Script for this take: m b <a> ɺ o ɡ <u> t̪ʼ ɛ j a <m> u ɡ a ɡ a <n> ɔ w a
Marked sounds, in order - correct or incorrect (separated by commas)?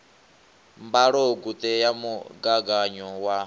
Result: correct, correct, correct, incorrect